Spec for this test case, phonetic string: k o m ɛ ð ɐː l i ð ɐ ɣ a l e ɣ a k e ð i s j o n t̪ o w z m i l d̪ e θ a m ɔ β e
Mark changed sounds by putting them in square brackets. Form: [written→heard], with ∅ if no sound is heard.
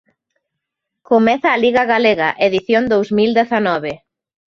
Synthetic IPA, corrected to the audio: k o m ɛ [ð→θ] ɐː l i [ð→ɣ] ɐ ɣ a l e ɣ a [k→ʔ] e ð i [s→θ] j o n [t̪→d̪] o w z m i l d̪ e θ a [m→n] ɔ β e